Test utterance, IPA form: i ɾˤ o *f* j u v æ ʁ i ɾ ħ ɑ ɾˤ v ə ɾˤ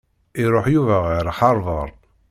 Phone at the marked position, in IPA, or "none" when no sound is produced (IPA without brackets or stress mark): ħ